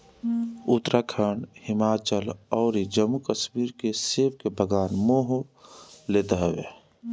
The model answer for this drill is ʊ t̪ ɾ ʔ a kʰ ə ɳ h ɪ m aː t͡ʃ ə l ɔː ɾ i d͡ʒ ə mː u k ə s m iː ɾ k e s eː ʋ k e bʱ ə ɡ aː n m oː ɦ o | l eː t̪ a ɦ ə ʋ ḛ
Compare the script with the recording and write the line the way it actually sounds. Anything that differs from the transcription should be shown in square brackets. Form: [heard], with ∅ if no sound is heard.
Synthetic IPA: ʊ t̪ ɾ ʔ a kʰ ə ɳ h ɪ m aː t͡ʃ ə l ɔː ɾ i d͡ʒ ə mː u k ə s m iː ɾ k e s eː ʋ k e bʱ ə ɡ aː n m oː ɦ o | l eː t̪ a ɦ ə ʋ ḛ

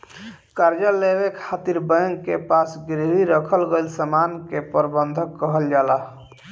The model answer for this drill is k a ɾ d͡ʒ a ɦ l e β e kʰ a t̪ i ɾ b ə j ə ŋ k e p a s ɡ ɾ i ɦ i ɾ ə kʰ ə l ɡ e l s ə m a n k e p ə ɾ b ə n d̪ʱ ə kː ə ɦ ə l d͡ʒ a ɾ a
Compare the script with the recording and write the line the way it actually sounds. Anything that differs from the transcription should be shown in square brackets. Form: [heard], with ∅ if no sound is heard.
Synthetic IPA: k a ɾ d͡ʒ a [∅] l e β e kʰ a t̪ i ɾ b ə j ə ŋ k e p a s ɡ ɾ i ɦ i ɾ ə kʰ ə l ɡ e l s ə m a n k e p ə ɾ b ə n d̪ʱ ə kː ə ɦ ə l d͡ʒ a [l] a

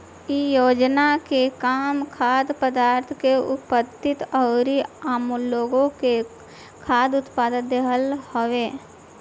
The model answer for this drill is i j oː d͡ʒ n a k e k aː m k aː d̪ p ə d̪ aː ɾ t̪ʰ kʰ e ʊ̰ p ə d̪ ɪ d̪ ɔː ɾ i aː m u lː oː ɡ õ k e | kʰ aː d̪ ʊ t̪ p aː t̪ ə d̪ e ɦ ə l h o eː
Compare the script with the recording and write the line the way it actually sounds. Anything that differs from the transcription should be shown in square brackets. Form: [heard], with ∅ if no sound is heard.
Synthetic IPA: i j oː d͡ʒ n a k e k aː m [kʰ] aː d̪ p ə d̪ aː ɾ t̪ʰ [k] e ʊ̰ p ə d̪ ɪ [t̪] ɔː ɾ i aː m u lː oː ɡ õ k e | kʰ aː d̪ ʊ t̪ p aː [d̪] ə d̪ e ɦ ə l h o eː

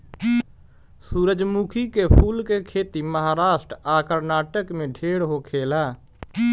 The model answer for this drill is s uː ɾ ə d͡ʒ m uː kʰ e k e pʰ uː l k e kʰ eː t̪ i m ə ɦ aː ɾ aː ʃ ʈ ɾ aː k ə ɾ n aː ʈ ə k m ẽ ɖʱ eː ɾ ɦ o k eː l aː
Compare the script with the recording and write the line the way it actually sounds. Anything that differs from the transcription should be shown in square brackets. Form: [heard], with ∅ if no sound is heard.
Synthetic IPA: s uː ɾ ə d͡ʒ m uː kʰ [i] k e pʰ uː l k e kʰ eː t̪ i m ə ɦ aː ɾ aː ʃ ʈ ɾ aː k ə ɾ n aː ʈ ə k m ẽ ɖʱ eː [ɽ] ɦ o [kʰ] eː l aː

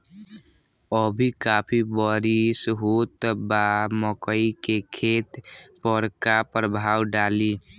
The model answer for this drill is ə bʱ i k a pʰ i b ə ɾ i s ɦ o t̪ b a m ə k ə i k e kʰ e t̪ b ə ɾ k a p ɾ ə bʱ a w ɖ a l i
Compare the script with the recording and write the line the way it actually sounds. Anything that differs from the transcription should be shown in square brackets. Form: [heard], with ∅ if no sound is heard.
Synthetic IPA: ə bʱ i k a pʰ i b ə ɾ i s ɦ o t̪ b a m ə k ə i k e kʰ e t̪ [p] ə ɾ k a p ɾ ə bʱ a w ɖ a l i

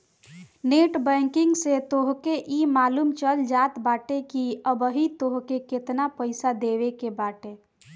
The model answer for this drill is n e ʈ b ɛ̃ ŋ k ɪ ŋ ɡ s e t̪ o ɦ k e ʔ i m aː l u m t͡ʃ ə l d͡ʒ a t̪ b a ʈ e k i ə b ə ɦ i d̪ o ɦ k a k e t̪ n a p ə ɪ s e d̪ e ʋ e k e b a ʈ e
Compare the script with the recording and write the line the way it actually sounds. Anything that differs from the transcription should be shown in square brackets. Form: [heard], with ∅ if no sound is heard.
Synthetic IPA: n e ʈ b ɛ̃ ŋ k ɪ ŋ ɡ s e t̪ o ɦ k e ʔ i m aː l u m t͡ʃ ə l d͡ʒ a t̪ b a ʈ e k i ə b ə ɦ i [t̪] o ɦ k [e] k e t̪ n a p ə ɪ s [a] d̪ e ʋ e k e b a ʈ e

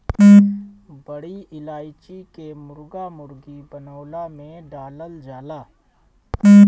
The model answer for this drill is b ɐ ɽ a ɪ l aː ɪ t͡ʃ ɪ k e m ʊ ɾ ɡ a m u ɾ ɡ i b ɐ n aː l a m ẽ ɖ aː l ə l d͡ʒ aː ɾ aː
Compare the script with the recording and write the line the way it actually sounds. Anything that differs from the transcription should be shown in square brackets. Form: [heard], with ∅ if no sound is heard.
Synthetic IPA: b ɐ ɽ [i] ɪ l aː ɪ t͡ʃ [i] k e m ʊ ɾ ɡ a m [ʊ] ɾ ɡ i b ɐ n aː l a m ẽ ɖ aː l ə l d͡ʒ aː [l] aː

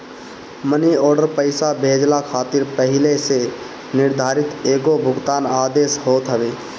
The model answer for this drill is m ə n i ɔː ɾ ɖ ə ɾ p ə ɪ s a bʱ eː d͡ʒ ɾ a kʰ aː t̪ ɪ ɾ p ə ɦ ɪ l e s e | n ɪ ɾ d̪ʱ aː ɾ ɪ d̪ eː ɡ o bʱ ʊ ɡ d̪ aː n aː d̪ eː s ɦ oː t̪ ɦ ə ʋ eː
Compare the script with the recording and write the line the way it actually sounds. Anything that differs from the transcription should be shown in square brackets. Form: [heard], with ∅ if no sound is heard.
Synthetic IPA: m ə n i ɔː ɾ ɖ ə ɾ p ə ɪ s a bʱ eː d͡ʒ [l] a kʰ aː t̪ ɪ ɾ p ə ɦ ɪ l e s e | n ɪ ɾ d̪ʱ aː ɾ ɪ [t̪] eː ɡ o bʱ ʊ ɡ [t̪] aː n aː d̪ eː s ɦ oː t̪ ɦ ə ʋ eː

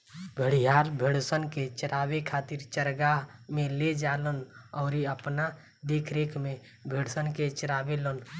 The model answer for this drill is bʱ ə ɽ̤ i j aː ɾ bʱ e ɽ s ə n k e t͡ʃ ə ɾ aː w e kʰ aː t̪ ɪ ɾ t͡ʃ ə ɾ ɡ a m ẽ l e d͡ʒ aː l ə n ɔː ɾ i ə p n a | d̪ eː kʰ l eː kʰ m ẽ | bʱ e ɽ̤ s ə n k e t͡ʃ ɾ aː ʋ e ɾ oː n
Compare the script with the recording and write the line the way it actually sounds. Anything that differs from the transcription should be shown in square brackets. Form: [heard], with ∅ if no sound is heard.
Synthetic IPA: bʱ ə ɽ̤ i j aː ɾ bʱ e ɽ s ə n k e t͡ʃ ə ɾ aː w e kʰ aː t̪ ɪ ɾ t͡ʃ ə ɾ ɡ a m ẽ l e d͡ʒ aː l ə n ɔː ɾ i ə p n a | d̪ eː kʰ [ɾ] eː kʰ m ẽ | bʱ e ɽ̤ s ə n k e t͡ʃ ɾ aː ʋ e [l] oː n

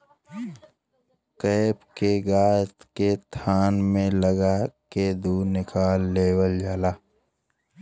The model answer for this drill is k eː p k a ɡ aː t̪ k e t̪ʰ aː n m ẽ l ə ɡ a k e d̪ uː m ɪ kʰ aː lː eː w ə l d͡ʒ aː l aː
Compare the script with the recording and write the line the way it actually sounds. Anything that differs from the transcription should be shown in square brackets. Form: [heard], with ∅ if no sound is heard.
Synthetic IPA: k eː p k [e] ɡ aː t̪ k e t̪ʰ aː n m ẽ l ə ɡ a k e d̪ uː [n] ɪ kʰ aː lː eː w ə l d͡ʒ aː l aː

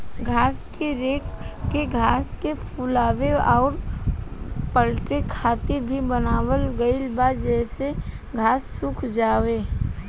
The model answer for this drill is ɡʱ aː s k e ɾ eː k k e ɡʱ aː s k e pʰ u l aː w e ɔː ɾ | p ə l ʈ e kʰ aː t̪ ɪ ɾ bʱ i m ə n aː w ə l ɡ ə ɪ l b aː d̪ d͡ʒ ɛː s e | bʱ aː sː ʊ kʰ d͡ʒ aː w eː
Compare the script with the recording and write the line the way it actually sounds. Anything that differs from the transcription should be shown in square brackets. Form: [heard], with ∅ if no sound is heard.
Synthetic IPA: ɡʱ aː s k e ɾ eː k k e ɡʱ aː s k e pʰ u l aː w e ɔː ɾ | p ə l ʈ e kʰ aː t̪ ɪ ɾ bʱ i [b] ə n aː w ə l ɡ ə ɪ l b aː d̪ d͡ʒ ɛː s e | [ɡʱ] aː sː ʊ kʰ d͡ʒ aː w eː

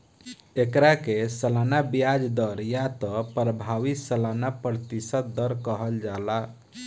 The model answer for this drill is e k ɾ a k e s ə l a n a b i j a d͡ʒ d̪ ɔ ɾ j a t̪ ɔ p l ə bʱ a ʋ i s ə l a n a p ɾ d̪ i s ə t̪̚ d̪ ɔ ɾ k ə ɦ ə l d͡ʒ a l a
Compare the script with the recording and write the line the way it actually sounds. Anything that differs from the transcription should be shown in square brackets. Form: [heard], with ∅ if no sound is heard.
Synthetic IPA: e k ɾ a k e s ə l a n a b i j a d͡ʒ d̪ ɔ ɾ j a t̪ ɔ p [ɾ] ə bʱ a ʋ i s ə l a n a p ɾ [t̪] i s ə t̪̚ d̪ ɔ ɾ k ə ɦ ə l d͡ʒ a l a

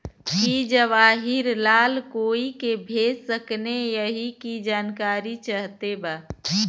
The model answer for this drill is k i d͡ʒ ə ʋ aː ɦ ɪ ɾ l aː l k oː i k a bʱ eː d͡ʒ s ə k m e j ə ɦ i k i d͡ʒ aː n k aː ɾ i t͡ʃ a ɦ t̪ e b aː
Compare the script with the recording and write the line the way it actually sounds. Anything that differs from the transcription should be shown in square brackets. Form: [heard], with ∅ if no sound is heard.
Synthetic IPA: k i d͡ʒ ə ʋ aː ɦ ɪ ɾ l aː l k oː i k [e] bʱ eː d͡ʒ s ə k [n] e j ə ɦ i k i d͡ʒ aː n k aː ɾ i t͡ʃ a ɦ t̪ e b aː

